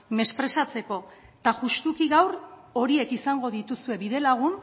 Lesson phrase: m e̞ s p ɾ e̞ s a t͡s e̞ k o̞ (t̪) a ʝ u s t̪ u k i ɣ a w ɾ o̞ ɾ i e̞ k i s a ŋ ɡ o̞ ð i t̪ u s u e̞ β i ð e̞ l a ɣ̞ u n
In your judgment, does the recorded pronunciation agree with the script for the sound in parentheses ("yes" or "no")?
yes